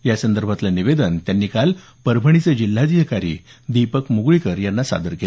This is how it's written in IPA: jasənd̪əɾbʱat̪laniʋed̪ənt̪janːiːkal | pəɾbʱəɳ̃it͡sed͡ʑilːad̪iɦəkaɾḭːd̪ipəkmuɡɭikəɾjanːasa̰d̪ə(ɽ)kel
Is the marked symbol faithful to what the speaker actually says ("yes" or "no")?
no